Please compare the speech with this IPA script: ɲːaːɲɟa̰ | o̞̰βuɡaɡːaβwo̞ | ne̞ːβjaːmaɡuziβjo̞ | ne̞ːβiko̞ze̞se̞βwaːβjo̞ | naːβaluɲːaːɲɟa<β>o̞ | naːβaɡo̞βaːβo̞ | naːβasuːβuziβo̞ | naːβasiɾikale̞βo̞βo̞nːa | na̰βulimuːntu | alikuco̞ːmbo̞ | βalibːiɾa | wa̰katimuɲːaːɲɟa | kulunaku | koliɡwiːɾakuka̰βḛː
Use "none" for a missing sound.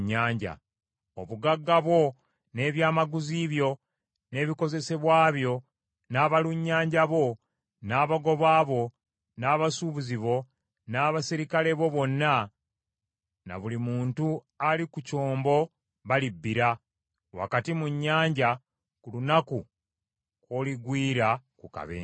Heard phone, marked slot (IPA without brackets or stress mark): β